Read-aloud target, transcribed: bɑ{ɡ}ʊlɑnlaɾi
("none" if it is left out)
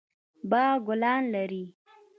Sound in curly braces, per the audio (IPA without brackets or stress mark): ɡ